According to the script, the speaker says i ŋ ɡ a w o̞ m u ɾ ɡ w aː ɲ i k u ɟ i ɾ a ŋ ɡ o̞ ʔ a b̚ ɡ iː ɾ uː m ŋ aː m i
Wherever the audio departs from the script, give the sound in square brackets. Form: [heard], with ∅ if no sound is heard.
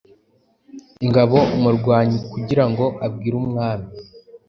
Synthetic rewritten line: i ŋ ɡ a [β] o̞ m u ɾ ɡ w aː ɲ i k u ɟ i ɾ a ŋ ɡ o̞ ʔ a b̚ ɡ iː ɾ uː m ŋ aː m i